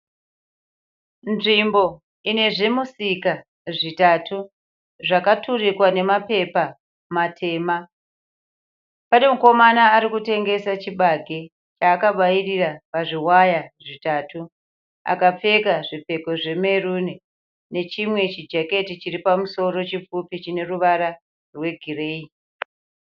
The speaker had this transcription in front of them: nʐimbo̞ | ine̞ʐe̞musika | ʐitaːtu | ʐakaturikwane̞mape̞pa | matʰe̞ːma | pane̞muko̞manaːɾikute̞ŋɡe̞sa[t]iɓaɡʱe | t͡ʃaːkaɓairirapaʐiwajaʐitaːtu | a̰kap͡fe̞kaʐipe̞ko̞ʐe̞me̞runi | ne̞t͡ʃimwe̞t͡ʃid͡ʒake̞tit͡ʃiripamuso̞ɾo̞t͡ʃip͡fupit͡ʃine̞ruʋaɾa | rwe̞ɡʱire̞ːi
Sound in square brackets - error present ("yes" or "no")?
yes